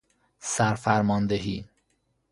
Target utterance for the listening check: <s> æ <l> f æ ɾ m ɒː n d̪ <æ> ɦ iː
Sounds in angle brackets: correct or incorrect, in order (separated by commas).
correct, incorrect, incorrect